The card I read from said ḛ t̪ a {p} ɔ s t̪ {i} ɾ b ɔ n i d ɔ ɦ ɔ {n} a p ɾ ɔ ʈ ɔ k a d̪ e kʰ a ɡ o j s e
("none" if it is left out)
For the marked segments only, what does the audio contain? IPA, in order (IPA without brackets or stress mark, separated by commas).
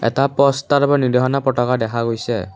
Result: p, a, n